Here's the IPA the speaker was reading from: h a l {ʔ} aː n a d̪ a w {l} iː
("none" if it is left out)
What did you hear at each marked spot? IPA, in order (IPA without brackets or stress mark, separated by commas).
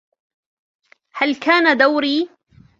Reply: k, ɾ